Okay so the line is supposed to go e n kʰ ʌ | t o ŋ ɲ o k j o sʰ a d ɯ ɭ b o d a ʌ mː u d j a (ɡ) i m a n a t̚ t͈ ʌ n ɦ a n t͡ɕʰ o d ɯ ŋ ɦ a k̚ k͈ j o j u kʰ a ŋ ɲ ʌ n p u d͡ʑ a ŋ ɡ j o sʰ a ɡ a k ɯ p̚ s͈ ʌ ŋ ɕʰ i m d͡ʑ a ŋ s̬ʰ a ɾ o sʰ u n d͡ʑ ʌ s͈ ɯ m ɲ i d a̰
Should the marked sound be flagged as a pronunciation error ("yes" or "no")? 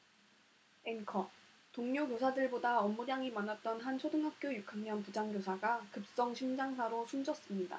yes